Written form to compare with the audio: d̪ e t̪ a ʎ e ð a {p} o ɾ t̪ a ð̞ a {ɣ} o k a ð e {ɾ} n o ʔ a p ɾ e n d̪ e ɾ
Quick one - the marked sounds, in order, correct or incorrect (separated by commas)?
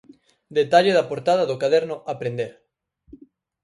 correct, incorrect, correct